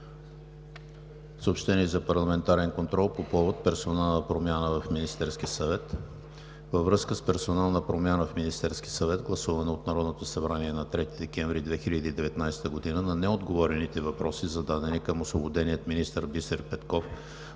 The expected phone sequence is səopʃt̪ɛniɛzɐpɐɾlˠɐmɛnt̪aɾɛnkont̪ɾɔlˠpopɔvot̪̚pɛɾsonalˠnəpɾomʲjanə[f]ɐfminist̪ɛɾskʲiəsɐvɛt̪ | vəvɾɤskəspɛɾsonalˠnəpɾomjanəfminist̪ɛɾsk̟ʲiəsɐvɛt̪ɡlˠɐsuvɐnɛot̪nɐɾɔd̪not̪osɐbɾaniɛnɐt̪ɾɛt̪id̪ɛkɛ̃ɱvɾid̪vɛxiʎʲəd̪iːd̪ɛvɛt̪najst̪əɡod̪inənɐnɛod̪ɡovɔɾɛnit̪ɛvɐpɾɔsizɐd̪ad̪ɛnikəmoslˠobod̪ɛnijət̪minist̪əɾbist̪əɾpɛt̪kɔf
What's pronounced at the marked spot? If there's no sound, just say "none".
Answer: v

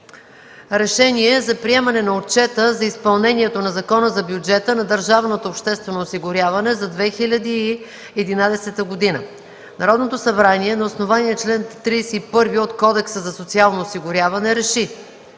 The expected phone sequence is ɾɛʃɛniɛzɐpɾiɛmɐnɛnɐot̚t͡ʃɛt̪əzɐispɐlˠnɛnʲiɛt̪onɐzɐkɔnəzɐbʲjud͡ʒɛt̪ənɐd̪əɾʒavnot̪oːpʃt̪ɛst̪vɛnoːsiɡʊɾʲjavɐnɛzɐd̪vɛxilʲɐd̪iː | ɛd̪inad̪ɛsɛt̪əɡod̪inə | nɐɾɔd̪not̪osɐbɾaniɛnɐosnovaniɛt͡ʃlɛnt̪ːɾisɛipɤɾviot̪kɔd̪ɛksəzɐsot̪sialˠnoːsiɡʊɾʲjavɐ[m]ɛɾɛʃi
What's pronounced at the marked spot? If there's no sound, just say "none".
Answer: n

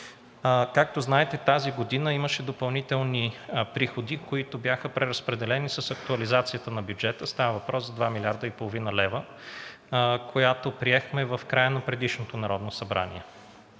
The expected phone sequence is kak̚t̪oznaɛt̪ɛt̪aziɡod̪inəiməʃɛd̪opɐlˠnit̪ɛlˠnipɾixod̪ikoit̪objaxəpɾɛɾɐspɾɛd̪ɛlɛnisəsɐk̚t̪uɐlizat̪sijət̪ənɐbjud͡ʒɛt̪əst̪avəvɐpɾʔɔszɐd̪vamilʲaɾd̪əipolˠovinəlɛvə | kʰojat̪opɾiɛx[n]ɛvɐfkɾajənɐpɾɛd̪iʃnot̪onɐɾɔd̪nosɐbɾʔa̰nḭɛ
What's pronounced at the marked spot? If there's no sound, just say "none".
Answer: m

